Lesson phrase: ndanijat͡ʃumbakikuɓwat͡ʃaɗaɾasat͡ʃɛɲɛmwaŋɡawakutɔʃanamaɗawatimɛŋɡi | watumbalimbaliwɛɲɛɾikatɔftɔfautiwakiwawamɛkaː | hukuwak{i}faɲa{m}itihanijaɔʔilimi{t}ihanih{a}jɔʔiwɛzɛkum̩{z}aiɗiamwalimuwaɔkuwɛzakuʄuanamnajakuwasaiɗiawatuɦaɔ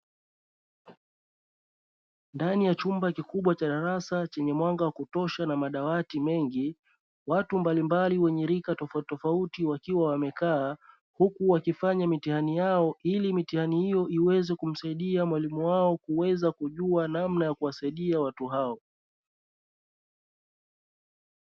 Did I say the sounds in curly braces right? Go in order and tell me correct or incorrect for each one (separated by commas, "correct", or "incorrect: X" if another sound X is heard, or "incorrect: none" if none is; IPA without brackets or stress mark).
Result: correct, correct, correct, incorrect: i, incorrect: s